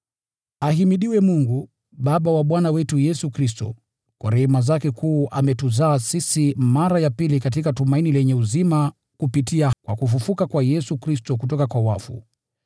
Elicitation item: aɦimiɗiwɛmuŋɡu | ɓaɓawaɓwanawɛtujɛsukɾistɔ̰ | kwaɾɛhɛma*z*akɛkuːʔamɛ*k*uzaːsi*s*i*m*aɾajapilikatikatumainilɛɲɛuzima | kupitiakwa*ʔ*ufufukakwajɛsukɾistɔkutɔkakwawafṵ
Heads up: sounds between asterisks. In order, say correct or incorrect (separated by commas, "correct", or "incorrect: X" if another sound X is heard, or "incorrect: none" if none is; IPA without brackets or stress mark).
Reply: correct, incorrect: t, correct, correct, incorrect: k